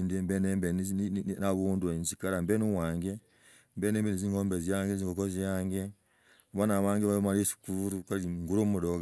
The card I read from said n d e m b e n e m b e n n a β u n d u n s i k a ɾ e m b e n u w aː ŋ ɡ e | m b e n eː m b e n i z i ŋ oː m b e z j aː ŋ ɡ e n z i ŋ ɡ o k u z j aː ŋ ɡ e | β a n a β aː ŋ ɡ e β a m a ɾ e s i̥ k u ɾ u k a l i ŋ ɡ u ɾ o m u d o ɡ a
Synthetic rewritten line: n d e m b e n e m b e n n a β u n d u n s i k a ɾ a m b e n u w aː ŋ ɡ e | m b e n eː m b e n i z i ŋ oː m b e z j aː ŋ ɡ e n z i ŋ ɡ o k o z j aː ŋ ɡ e | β a n a β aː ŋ ɡ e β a m a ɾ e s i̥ k u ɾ u k a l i ŋ ɡ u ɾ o m u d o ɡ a